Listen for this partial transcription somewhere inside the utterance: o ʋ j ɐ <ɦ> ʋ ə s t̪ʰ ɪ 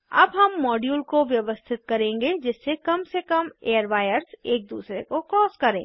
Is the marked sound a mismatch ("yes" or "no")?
yes